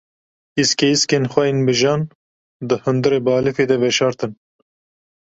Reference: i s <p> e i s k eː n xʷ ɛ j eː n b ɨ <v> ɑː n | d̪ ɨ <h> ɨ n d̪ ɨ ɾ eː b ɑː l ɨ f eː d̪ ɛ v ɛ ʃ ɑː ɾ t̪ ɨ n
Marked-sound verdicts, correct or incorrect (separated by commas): incorrect, incorrect, correct